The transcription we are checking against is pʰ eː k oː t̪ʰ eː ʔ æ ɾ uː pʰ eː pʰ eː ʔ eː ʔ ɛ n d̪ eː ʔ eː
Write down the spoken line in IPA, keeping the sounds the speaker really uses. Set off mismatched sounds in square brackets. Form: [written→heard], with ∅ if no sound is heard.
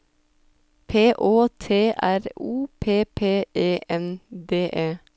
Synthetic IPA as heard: pʰ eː [k→ʔ] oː t̪ʰ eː ʔ æ ɾ uː pʰ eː pʰ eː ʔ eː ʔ ɛ n d̪ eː ʔ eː